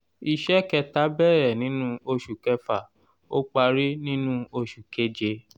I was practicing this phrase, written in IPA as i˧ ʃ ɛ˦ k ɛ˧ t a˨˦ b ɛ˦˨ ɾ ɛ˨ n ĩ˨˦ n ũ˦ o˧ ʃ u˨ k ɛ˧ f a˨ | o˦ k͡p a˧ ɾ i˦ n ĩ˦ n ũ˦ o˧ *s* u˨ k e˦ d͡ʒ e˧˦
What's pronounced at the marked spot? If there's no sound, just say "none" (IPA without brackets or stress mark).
ʃ